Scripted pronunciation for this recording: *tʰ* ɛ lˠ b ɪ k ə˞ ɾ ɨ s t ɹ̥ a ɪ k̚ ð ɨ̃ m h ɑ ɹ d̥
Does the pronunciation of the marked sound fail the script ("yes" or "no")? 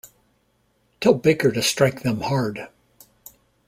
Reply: no